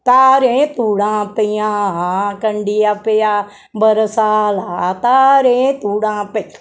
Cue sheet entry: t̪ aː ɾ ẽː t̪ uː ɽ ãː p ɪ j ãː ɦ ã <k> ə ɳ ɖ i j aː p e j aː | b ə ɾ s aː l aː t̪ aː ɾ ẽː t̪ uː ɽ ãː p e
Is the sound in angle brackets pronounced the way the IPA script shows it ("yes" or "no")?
yes